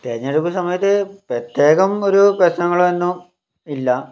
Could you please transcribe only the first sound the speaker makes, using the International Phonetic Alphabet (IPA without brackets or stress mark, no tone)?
t̪